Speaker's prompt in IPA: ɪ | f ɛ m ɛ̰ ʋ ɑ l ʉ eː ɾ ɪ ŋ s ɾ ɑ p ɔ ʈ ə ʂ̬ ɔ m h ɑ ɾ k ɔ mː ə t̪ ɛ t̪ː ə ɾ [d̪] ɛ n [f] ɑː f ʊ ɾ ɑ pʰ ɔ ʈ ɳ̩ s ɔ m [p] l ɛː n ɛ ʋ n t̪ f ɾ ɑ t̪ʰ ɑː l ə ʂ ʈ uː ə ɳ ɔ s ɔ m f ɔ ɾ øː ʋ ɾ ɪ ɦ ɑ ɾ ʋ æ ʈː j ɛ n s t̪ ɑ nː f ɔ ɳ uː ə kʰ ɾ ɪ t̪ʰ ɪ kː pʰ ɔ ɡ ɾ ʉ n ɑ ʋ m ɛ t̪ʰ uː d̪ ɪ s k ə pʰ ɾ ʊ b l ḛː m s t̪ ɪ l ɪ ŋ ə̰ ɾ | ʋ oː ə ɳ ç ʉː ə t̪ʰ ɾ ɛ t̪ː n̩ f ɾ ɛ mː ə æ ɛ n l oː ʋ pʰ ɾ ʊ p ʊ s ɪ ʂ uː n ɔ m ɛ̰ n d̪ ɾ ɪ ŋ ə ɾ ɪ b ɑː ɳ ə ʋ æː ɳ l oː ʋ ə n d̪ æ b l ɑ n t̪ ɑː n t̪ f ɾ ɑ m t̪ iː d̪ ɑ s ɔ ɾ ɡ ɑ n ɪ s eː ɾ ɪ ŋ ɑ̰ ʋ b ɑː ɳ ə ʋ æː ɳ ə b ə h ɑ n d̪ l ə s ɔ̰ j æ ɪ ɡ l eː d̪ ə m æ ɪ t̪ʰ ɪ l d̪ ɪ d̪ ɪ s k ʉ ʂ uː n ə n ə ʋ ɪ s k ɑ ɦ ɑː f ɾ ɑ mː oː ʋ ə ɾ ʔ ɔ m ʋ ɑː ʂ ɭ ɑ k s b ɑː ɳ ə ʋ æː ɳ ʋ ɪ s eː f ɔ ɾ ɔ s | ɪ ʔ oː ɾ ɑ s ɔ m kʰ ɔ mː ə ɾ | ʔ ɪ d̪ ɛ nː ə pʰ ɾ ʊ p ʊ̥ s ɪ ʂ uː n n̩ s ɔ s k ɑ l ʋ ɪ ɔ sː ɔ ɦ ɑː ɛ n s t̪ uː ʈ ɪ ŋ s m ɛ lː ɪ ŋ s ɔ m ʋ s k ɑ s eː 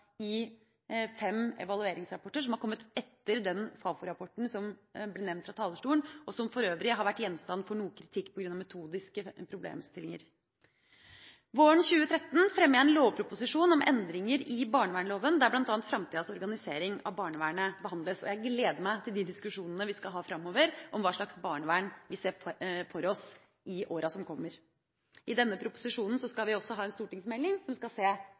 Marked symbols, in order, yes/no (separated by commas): yes, yes, no